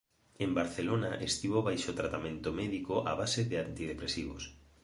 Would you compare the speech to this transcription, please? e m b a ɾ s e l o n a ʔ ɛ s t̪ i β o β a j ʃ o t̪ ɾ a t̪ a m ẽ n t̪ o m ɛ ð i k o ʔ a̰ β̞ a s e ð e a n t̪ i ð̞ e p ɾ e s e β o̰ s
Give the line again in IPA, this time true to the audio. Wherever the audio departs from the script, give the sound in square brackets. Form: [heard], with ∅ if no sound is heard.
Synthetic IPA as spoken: e m b a ɾ [θ] e l o n a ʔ [e] s t̪ i β o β a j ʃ o t̪ ɾ a t̪ a m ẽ n t̪ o m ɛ ð i k o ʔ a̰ β̞ a s e ð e a n t̪ i ð̞ e p ɾ e s [i] β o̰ s